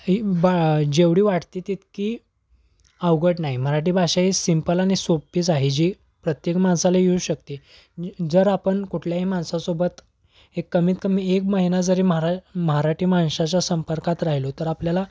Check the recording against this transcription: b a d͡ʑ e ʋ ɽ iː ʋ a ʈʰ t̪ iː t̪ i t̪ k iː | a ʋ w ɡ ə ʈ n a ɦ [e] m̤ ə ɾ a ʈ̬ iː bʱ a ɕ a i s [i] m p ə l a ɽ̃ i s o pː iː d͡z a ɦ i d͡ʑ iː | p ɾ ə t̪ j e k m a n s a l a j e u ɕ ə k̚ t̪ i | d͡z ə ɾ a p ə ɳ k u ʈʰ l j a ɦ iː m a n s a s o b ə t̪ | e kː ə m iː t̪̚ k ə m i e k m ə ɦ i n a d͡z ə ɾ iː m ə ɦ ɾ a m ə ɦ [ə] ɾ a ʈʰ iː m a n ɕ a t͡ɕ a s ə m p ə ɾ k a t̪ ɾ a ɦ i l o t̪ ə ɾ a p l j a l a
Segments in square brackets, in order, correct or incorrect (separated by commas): incorrect, correct, incorrect